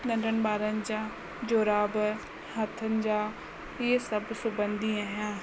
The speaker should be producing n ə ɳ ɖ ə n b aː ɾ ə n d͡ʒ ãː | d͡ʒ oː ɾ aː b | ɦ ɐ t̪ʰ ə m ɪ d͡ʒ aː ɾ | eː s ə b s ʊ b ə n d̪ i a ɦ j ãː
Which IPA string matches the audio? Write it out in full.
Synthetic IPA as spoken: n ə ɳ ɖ ə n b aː ɾ ə n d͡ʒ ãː | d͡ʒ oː ɾ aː b | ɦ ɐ t̪ʰ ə n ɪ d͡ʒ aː | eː s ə b s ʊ b ə n d̪ i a ɦ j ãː